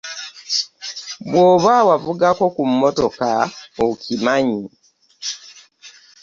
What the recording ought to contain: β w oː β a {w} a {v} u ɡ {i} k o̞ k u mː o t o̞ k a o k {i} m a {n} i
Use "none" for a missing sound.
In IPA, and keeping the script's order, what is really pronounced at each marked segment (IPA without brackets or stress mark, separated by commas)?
w, v, a, i, ɲ